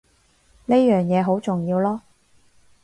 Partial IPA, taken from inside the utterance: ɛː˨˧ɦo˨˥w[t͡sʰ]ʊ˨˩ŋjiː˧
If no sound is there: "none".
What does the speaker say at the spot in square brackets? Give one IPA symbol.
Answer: t͡s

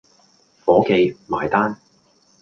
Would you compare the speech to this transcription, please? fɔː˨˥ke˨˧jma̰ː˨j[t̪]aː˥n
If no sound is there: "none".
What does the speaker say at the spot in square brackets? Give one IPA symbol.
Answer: t̪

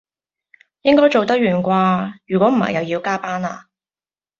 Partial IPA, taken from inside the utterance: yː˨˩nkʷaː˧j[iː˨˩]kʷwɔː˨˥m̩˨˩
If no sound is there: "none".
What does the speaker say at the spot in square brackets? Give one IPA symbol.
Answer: yː˨˩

